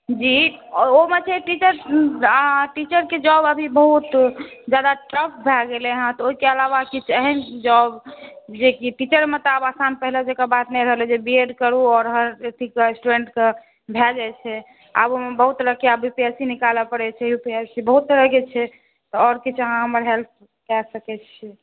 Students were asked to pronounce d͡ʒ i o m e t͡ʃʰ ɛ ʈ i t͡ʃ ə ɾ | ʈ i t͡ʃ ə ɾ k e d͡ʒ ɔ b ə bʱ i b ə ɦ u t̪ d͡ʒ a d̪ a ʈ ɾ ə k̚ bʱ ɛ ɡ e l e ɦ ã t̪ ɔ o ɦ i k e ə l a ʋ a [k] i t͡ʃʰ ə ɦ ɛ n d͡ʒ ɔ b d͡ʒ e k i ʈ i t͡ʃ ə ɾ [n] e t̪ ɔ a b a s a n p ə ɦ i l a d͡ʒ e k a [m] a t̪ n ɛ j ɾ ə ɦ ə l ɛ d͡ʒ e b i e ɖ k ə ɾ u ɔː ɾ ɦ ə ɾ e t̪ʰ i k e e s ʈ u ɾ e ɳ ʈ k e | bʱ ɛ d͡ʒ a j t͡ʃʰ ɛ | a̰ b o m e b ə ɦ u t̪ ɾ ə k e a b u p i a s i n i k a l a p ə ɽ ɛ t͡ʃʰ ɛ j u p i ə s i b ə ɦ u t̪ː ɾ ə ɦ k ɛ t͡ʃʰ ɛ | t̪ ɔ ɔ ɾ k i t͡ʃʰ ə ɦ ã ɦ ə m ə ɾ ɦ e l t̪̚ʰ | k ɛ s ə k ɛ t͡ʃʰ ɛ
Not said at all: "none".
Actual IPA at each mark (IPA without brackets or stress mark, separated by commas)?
k, m, b